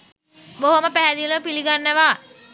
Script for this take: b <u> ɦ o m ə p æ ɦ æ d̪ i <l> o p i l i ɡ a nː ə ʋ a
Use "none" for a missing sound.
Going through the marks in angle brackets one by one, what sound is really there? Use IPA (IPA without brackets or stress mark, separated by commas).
o, l